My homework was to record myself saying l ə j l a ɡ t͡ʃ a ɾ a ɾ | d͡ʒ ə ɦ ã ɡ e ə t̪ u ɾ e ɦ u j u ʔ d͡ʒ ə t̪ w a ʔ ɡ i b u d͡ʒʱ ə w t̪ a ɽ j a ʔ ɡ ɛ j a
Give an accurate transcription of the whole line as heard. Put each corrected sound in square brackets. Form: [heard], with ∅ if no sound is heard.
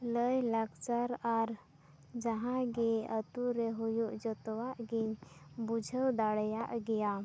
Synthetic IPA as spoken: l ə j l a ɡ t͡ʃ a ɾ a ɾ | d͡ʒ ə ɦ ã ɡ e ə t̪ u ɾ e ɦ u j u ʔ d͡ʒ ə t̪ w a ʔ ɡ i b u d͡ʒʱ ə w [d̪] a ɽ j a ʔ ɡ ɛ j a

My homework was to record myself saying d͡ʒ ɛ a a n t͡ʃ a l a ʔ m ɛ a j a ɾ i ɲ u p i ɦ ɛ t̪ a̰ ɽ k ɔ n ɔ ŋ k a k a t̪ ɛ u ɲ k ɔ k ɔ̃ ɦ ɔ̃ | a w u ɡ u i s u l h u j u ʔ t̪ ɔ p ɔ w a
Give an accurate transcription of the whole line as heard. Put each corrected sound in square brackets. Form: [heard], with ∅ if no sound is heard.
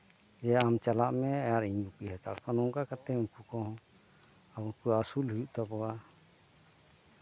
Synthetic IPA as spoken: d͡ʒ ɛ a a [m] t͡ʃ a l a ʔ m ɛ a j a ɾ i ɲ u p i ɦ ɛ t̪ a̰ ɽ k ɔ n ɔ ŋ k a k a t̪ ɛ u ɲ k [u] k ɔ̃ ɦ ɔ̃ | a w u [k] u [a] s u l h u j u ʔ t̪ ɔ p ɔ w a

